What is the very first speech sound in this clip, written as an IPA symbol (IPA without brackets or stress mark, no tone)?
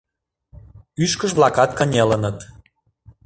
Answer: y